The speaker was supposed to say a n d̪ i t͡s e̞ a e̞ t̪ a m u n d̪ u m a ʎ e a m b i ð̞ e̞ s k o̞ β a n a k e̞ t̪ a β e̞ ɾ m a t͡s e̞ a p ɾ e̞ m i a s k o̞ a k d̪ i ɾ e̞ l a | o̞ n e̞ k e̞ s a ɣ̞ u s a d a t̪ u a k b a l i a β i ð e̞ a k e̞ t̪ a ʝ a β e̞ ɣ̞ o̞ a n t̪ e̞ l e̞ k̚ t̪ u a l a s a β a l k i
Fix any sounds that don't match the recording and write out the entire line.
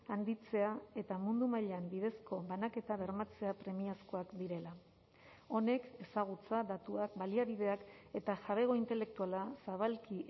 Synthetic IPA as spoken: a n d̪ i t͡s e̞ a e̞ t̪ a m u n d̪ u m a ʎ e a m b i ð̞ e̞ s k o̞ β a n a k e̞ t̪ a β e̞ ɾ m a t͡s e̞ a p ɾ e̞ m i a s k o̞ a k d̪ i ɾ e̞ l a | o̞ n e̞ k e̞ s a ɣ̞ u t͡s a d a t̪ u a k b a l i a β i ð e̞ a k e̞ t̪ a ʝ a β e̞ ɣ̞ o̞ i n t̪ e̞ l e̞ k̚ t̪ u a l a s a β a l k i